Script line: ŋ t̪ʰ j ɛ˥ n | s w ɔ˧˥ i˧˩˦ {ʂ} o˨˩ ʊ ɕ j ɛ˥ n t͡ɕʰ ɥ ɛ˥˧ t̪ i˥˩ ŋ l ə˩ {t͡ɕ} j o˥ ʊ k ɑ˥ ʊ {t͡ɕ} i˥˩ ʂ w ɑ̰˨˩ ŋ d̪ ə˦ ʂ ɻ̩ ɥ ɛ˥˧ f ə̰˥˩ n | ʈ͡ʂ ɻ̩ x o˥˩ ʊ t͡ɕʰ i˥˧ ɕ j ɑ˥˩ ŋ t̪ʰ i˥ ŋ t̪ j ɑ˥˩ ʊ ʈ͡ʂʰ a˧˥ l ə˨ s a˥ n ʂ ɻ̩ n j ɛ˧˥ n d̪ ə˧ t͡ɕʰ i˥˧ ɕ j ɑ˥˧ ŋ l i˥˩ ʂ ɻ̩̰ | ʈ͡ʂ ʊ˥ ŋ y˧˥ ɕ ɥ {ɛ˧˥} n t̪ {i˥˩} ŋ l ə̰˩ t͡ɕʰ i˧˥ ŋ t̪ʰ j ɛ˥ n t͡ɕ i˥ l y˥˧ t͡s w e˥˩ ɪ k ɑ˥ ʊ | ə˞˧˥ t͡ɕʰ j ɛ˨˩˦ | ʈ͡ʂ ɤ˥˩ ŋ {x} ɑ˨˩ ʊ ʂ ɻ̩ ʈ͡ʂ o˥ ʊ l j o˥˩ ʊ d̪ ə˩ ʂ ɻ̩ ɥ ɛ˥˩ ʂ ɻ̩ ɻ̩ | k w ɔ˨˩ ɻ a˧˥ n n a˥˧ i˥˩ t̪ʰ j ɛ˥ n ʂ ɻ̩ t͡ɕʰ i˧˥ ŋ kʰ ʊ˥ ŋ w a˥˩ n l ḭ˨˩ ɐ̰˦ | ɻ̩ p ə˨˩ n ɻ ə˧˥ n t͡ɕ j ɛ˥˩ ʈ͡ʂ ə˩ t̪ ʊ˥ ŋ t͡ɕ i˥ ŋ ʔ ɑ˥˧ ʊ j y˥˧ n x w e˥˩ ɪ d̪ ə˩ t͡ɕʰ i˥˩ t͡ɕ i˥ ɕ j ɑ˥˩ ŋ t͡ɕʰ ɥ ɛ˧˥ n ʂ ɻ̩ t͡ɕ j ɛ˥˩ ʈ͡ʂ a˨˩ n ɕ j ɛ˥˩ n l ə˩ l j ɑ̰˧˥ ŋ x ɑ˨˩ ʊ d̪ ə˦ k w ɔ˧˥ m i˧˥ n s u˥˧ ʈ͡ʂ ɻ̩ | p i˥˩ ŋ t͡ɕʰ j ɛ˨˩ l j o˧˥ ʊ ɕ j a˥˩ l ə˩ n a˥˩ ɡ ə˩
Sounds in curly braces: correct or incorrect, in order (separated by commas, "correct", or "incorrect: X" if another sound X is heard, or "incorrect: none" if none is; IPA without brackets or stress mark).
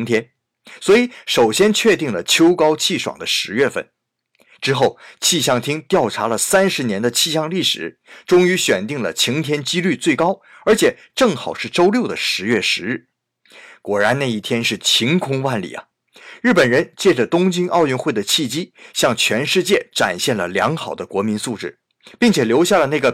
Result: correct, incorrect: t͡ɕʰ, incorrect: t͡ɕʰ, incorrect: ɛ˨˩, correct, correct